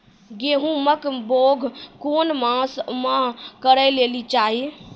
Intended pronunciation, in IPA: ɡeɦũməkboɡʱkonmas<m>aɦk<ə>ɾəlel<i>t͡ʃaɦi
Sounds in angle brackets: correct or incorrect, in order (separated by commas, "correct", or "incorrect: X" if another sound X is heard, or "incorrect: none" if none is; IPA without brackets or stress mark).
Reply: correct, correct, correct